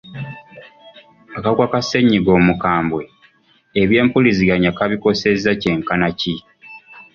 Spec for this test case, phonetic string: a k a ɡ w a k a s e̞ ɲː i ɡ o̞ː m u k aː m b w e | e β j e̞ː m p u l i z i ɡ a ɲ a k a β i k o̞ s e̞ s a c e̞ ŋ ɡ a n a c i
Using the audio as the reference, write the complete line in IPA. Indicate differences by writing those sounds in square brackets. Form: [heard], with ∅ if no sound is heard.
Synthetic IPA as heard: a k a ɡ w a k a s e̞ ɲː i ɡ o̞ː m u k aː m b w e | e β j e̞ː m p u l i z i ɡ a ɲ a k a β i k o̞ s e̞ [z] a c e̞ ŋ [k] a n a c i